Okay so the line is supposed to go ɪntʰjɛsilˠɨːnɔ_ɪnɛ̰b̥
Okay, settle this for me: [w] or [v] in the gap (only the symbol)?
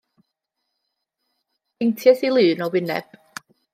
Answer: w